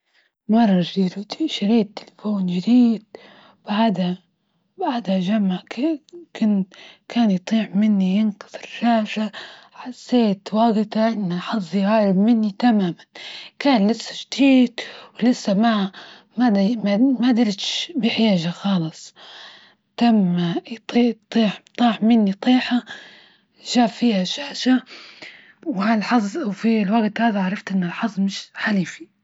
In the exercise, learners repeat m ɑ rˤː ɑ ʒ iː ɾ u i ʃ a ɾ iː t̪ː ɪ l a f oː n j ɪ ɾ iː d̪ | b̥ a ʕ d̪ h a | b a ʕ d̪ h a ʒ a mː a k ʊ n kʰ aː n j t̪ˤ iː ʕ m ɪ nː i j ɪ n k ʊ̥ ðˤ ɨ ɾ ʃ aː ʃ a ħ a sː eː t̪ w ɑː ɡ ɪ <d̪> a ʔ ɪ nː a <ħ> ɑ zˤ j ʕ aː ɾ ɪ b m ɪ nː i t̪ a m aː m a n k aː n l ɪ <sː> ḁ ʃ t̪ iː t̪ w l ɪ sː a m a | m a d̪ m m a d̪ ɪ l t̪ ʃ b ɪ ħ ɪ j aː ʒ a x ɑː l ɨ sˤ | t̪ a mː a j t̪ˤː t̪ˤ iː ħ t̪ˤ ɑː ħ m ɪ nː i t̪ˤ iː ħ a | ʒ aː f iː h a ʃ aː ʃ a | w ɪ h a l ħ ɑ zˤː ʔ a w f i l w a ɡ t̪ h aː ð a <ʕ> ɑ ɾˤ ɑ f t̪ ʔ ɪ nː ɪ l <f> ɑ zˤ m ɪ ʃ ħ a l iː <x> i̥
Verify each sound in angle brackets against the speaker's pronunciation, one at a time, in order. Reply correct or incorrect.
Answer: incorrect: t̪, correct, correct, correct, incorrect: ħ, incorrect: f

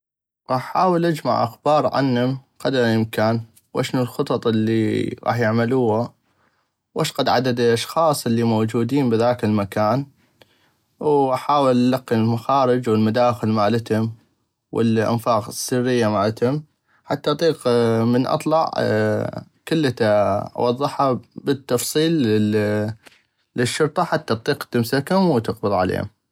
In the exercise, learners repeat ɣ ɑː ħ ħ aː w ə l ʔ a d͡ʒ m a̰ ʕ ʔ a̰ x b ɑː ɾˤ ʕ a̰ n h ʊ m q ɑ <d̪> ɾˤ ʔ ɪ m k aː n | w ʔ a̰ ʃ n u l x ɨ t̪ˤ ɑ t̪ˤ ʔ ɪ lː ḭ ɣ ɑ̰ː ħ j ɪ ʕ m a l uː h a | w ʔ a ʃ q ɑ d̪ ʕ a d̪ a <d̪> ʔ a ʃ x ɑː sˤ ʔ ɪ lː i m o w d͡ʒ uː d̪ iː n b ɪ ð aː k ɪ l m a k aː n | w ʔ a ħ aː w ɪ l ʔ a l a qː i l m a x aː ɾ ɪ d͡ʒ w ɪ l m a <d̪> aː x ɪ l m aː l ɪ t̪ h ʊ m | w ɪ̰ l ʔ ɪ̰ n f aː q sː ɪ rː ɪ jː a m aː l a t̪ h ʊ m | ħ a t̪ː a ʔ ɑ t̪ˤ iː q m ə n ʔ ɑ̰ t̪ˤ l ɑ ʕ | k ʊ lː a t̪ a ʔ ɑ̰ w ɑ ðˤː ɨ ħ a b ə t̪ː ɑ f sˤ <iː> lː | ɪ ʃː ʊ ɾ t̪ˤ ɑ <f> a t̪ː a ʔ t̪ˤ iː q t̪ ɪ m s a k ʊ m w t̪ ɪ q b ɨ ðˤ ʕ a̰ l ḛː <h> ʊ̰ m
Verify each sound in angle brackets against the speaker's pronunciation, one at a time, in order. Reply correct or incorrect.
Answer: correct, correct, correct, correct, incorrect: ħ, correct

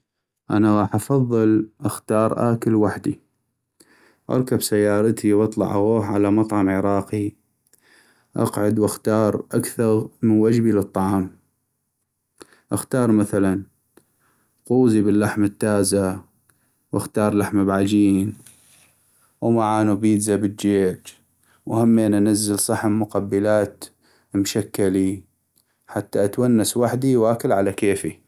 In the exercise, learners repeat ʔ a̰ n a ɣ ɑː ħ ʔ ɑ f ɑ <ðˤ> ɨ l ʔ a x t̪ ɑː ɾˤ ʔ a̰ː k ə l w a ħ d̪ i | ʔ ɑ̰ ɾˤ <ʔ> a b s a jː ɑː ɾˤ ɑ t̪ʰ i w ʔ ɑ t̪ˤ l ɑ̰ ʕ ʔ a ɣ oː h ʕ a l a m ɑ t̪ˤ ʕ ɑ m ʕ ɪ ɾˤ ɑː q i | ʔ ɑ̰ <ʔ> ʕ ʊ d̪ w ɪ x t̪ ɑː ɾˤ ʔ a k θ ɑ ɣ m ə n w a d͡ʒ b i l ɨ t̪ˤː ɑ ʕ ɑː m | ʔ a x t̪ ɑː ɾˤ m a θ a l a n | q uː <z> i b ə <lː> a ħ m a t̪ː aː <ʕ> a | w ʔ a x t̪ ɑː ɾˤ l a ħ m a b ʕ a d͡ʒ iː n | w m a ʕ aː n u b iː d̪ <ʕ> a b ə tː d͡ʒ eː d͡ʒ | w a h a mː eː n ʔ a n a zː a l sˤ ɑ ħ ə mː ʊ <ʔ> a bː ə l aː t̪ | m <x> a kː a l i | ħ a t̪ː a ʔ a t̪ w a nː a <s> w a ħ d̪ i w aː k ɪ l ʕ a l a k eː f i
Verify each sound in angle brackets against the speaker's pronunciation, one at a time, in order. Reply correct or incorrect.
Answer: incorrect: ðˤː, incorrect: k, incorrect: q, correct, correct, incorrect: z, incorrect: z, incorrect: q, incorrect: ʃ, correct

